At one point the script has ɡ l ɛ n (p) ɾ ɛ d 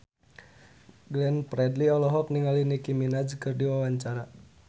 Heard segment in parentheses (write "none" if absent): p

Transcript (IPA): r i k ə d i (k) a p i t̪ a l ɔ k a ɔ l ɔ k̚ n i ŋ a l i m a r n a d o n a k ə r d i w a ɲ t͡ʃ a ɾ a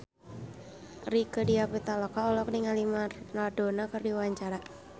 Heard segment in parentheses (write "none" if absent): none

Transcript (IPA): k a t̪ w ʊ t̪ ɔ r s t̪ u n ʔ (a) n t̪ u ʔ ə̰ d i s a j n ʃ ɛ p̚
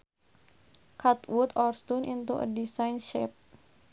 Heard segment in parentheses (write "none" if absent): i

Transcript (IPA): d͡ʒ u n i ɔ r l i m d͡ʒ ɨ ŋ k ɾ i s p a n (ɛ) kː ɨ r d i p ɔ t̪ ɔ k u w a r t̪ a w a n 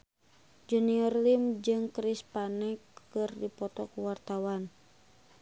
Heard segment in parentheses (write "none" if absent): ɛ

